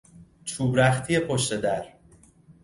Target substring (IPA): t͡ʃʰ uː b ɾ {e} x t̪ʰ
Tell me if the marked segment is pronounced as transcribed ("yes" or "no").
no